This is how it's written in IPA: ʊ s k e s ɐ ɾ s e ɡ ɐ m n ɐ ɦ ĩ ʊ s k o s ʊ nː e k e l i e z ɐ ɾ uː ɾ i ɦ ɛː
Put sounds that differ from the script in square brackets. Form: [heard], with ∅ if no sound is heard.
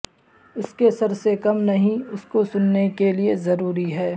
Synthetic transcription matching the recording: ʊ s k e s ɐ ɾ s e [k] ɐ m n ɐ ɦ ĩ ʊ s k o s ʊ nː e k e l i e z ɐ ɾ uː ɾ i ɦ ɛː